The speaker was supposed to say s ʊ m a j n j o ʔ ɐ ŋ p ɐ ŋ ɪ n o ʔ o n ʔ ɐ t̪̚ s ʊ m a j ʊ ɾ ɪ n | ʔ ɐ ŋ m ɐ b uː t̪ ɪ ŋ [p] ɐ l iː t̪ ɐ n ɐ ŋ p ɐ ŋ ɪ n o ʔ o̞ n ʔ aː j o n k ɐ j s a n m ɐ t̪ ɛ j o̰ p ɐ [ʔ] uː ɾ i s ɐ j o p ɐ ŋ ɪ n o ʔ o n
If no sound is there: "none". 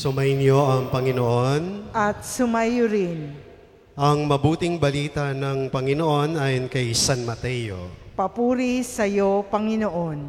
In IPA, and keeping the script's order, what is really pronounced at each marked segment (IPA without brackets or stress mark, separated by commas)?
b, p